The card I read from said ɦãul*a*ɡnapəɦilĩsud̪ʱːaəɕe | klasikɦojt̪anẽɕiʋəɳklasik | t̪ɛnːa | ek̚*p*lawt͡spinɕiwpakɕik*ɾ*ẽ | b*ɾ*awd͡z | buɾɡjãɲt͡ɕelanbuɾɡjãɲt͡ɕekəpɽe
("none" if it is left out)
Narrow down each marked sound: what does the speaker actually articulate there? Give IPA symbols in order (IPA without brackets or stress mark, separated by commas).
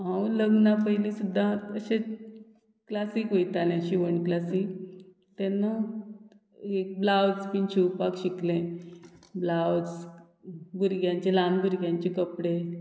ə, b, l, l